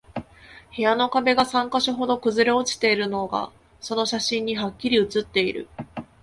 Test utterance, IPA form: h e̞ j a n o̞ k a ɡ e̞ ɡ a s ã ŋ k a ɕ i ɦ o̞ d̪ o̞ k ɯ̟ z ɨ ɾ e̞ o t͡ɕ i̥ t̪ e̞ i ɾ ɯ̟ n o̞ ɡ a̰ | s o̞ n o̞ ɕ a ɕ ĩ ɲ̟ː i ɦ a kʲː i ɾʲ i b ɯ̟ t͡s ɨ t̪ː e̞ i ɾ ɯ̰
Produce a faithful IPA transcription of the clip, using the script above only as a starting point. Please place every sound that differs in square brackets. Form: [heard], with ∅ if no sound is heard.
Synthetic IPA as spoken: h e̞ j a n o̞ k a [b] e̞ ɡ a s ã ŋ k a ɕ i ɦ o̞ d̪ o̞ k ɯ̟ z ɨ ɾ e̞ o t͡ɕ i̥ t̪ e̞ i ɾ ɯ̟ n o̞ ɡ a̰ | s o̞ n o̞ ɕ a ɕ ĩ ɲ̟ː i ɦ a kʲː i ɾʲ i [∅] ɯ̟ t͡s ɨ t̪ː e̞ i ɾ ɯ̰